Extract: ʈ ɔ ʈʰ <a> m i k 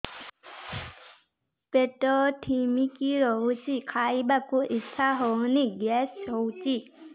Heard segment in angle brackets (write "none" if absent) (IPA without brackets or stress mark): i